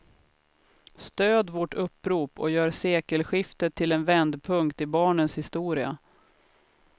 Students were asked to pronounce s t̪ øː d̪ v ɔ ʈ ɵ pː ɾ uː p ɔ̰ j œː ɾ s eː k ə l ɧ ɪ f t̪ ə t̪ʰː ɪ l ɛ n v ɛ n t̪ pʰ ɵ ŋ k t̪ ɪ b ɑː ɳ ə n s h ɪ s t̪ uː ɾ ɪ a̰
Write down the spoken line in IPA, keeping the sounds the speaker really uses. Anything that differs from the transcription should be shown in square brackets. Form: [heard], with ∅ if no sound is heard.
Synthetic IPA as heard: s t̪ øː d̪ v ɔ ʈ ɵ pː ɾ uː p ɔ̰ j œː ɾ s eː k ə l ɧ ɪ f t̪ ə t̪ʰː ɪ l ɛ n v ɛ n [d̪] pʰ ɵ ŋ k t̪ ɪ b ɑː ɳ ə n s h ɪ s t̪ uː ɾ ɪ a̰